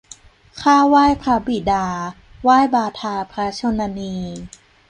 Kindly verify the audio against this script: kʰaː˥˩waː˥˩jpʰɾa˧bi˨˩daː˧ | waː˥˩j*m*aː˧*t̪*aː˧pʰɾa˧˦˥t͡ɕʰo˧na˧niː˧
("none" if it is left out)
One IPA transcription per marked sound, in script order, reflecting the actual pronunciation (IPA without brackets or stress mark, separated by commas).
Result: b, t̪ʰ